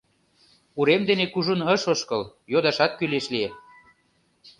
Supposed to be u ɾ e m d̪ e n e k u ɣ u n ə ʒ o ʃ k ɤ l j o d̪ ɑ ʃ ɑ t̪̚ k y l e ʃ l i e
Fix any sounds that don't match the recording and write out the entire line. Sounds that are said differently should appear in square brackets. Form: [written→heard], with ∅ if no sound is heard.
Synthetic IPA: u ɾ e m d̪ e n e k u [ɣ→ʒ] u n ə [ʒ→ʃ] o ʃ k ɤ l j o d̪ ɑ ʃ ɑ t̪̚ k y l e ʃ l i e